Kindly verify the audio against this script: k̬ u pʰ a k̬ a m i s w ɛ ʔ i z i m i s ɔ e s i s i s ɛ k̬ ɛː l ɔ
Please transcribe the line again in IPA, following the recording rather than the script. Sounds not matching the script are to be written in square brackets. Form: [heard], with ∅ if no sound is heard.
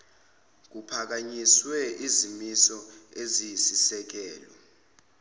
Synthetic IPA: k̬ u pʰ a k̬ a [ɲ] i s w ɛ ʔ i z i m i s ɔ e [z] i s i s ɛ k̬ ɛː l ɔ